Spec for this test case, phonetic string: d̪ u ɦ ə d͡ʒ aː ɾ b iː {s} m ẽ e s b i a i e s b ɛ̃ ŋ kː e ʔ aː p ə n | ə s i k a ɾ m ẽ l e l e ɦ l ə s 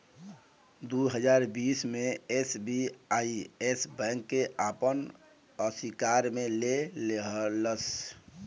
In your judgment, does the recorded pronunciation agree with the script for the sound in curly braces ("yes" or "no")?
yes